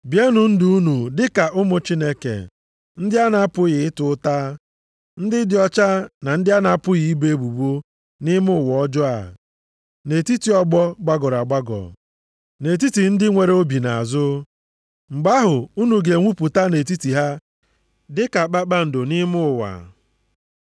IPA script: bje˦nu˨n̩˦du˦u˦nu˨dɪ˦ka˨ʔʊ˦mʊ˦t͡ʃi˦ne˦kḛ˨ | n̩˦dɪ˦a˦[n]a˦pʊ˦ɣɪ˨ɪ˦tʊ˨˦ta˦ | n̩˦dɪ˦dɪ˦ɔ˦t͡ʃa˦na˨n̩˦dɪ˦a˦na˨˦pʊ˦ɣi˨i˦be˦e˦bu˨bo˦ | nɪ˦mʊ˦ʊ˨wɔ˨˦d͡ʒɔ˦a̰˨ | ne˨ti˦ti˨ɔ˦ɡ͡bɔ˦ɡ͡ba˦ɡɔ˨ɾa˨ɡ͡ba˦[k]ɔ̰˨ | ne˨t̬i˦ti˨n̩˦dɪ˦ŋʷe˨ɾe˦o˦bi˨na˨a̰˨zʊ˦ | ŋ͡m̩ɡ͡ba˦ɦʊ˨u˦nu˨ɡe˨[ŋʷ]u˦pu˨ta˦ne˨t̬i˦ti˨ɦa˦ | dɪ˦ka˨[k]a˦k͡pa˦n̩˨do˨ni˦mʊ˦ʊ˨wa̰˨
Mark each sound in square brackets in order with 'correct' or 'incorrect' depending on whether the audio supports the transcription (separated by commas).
correct, incorrect, correct, incorrect